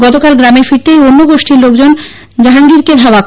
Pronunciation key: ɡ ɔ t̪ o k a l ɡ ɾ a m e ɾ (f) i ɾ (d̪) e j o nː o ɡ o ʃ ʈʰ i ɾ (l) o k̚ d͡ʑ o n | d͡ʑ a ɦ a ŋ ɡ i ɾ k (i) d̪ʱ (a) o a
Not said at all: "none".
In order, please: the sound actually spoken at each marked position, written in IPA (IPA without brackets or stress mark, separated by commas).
f, t̪, l, e, a